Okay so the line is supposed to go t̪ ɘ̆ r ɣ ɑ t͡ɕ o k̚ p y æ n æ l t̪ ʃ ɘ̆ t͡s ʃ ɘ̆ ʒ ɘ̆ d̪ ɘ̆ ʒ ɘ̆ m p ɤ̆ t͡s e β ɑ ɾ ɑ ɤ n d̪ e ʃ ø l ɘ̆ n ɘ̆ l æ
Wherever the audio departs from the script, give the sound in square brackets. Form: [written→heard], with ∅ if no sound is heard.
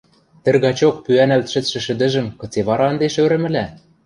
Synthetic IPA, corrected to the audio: t̪ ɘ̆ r ɣ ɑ t͡ɕ o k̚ p y æ n æ l t̪ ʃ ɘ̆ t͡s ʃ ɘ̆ [ʒ→ʃ] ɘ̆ d̪ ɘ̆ ʒ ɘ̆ m [p→k] ɤ̆ t͡s e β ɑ ɾ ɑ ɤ n d̪ e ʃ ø [l→ɾ] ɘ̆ [n→m] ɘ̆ l æ